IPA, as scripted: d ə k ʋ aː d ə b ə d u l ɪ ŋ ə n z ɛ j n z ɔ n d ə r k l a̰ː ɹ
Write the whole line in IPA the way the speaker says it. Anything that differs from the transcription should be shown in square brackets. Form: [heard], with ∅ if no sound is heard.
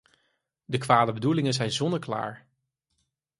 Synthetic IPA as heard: d ə k ʋ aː d ə b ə d u l ɪ ŋ ə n z ɛ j n z ɔ n d ə [ɹ] k l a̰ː ɹ

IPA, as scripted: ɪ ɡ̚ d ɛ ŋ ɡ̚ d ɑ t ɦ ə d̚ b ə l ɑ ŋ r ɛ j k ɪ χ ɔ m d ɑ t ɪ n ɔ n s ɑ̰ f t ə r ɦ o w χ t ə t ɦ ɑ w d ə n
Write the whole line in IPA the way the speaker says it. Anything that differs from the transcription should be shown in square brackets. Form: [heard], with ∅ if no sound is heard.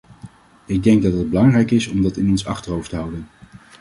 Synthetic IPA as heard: ɪ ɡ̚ d ɛ ŋ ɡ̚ d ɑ t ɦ ə d̚ b ə l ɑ ŋ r ɛ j k ɪ [s] ɔ m d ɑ t ɪ n ɔ n s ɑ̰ [χ] t ə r ɦ o w [f] t ə [∅] ɦ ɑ w d ə n

